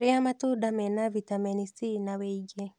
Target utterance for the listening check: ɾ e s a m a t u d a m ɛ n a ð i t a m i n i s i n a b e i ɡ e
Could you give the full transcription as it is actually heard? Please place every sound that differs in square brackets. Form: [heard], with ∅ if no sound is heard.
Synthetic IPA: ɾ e [∅] a m a t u d a m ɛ n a [v] i t a m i n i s i n a [w] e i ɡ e

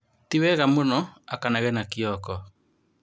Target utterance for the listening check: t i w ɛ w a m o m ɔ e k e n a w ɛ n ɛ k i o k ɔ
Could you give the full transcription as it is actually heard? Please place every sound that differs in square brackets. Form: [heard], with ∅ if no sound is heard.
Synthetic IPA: t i w ɛ [ɣ] a m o [n] ɔ [a] k [a] n a [ɣ] ɛ n [a] k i [ɔ] k ɔ

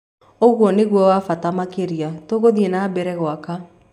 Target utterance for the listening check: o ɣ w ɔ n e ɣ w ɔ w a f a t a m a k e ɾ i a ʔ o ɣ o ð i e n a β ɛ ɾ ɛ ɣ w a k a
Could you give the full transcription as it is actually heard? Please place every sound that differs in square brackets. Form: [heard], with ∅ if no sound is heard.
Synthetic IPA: o ɣ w ɔ n e ɣ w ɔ w a f a t a m a k e ɾ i a [t] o ɣ o ð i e n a [b] ɛ ɾ ɛ ɣ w a k a

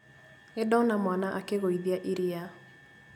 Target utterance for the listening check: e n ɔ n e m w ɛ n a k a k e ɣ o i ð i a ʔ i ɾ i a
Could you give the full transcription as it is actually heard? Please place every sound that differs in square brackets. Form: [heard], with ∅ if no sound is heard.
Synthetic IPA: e [d] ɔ n [a] m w [a] n a [ʔ] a k e ɣ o i ð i a ʔ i ɾ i a

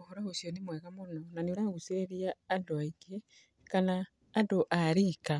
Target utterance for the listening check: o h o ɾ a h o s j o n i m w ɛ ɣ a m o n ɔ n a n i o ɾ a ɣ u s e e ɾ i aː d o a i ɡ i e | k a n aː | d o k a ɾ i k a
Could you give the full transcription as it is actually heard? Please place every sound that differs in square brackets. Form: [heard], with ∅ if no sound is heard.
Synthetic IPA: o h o ɾ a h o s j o n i m w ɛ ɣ a m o n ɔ n a n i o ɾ a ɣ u s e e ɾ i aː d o a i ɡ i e | k a n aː | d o [ʔ] a ɾ i k a

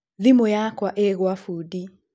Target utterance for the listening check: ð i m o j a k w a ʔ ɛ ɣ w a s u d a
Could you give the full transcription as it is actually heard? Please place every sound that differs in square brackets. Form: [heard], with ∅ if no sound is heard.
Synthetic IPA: ð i m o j a k w a ʔ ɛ ɣ w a [f] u d [i]

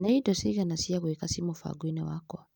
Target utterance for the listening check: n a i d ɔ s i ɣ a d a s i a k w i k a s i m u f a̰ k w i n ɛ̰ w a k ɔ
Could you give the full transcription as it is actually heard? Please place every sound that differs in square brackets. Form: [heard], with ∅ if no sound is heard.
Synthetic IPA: n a i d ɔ s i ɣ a [n] a s i a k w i k a s i m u f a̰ [ɡ] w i n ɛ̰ w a k ɔ

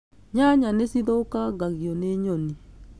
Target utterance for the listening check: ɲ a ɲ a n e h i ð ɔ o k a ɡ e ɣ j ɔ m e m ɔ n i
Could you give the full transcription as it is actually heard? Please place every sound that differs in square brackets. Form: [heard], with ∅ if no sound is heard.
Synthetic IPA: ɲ a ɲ a n e [s] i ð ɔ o k a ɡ [a] ɣ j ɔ [n] e [ɲ] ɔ n i

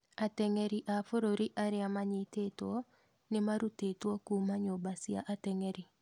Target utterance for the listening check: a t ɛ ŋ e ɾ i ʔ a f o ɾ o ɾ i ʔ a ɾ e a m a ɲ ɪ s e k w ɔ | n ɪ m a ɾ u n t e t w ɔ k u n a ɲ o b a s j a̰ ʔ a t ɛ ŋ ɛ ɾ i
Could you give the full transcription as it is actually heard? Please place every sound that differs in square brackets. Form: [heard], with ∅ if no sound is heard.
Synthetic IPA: a t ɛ ŋ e ɾ i ʔ a f o ɾ o ɾ i ʔ a ɾ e a m a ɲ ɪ [t] e [t] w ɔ | n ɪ m a ɾ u [∅] t e t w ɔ k u [m] a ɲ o b a s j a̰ ʔ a t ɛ ŋ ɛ ɾ i

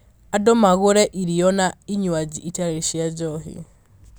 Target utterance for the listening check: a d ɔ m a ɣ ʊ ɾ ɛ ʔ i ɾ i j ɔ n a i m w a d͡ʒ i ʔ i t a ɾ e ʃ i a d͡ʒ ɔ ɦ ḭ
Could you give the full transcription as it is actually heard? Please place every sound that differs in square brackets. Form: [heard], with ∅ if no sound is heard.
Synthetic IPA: a d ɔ m a ɣ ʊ ɾ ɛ ʔ i ɾ i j ɔ n a i [ɲ] w a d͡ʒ i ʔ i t a ɾ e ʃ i a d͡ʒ ɔ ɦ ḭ

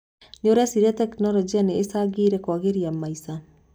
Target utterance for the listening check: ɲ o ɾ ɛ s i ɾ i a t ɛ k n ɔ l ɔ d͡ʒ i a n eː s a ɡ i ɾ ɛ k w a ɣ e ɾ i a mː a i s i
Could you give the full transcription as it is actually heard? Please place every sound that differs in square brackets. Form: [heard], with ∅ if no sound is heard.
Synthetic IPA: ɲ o ɾ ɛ s i ɾ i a t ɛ k n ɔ l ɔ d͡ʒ i a n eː s a ɡ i ɾ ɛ k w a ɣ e ɾ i a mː a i s [a]

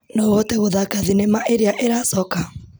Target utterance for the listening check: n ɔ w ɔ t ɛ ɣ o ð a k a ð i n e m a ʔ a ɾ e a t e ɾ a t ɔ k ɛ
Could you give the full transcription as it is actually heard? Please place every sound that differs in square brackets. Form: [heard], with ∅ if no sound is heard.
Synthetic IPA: n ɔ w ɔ t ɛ ɣ o ð a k a ð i n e m a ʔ [e] ɾ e a [ʔ] e ɾ a [s] ɔ k [a]

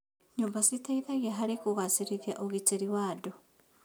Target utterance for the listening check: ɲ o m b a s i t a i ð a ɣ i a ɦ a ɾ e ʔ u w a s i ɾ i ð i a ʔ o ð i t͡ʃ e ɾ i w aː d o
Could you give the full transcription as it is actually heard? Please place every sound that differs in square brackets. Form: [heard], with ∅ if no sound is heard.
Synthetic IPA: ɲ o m b a s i t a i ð a ɣ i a ɦ a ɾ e [k] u [ɣ] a s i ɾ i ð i a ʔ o [ɣ] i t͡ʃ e ɾ i w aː d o

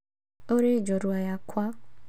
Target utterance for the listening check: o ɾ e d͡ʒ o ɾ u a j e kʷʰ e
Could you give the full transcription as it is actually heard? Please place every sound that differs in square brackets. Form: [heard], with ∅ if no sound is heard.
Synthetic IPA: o ɾ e d͡ʒ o ɾ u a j [a] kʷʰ [a]

